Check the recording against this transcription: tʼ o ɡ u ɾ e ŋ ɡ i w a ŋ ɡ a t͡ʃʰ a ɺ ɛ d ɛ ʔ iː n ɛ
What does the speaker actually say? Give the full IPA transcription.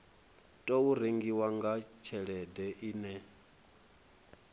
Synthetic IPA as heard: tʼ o u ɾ e ŋ ɡ i w a ŋ ɡ a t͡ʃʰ ɛ ɺ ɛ d ɛ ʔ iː n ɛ